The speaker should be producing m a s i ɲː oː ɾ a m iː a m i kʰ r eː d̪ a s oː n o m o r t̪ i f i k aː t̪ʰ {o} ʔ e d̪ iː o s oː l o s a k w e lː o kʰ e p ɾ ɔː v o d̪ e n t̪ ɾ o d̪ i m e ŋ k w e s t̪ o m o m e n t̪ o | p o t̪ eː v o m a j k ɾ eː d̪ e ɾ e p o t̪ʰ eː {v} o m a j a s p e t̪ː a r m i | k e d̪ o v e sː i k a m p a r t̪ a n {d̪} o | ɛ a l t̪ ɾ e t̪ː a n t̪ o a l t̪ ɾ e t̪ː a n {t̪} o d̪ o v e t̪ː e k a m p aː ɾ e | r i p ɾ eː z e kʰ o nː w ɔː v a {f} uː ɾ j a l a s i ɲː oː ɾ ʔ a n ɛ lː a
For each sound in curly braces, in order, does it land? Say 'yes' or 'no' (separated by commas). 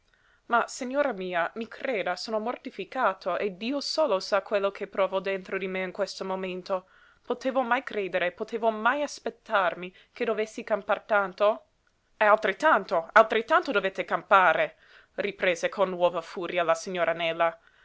yes, yes, no, yes, yes